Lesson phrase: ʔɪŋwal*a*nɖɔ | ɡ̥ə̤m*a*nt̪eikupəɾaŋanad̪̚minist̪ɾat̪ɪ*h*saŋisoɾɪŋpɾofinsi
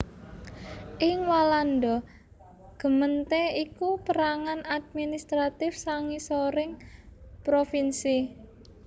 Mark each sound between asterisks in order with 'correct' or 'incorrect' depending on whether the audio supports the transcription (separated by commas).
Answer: correct, incorrect, incorrect